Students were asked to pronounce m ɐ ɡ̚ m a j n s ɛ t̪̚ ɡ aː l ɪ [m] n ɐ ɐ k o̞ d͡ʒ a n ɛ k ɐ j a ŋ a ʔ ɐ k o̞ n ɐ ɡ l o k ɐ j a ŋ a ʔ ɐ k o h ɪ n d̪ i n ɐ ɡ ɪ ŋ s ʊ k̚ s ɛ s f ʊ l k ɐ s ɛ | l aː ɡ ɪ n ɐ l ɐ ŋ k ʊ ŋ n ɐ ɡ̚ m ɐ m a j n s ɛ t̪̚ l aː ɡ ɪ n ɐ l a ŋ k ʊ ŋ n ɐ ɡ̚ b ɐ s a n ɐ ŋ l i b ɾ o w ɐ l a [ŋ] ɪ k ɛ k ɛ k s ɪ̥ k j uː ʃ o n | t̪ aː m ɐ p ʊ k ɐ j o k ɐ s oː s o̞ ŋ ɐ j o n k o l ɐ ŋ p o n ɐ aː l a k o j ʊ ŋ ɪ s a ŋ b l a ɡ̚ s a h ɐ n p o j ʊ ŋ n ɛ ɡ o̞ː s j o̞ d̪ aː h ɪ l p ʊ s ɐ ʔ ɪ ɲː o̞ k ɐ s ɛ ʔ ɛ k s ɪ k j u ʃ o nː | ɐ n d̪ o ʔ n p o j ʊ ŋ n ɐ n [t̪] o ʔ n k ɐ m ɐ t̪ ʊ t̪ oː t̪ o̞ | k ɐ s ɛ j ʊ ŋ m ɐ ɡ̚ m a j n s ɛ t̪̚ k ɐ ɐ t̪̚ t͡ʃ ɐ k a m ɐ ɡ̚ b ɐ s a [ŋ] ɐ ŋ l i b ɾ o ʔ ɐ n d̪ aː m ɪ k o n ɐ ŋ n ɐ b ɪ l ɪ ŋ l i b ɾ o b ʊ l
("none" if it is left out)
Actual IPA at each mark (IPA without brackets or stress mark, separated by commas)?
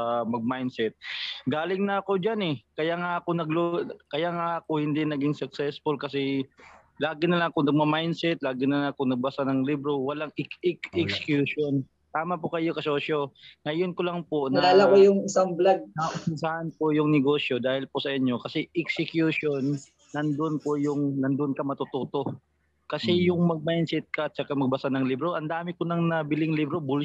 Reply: ŋ, ŋ, d̪, n